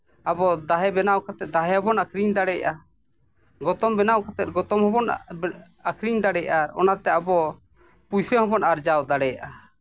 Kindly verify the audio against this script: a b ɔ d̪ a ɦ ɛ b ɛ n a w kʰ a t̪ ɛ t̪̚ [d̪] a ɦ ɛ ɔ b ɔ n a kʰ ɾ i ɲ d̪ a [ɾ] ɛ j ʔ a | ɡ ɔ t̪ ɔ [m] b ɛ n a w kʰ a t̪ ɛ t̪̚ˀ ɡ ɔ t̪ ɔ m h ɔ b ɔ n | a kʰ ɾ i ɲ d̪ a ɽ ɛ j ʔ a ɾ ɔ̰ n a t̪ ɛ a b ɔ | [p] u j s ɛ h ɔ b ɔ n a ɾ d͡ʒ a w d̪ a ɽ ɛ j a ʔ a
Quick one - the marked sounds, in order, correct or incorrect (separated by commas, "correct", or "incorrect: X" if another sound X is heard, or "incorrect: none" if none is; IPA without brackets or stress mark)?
correct, incorrect: ɽ, correct, correct